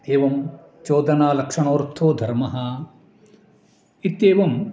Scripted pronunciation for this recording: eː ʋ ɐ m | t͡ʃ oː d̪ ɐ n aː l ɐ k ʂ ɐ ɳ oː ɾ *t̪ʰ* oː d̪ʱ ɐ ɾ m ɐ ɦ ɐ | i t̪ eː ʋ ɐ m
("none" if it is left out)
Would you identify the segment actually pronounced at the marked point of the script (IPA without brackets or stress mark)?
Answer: t̪ʰ